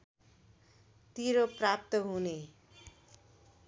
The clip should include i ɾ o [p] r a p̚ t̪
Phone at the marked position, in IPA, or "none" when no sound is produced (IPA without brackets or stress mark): p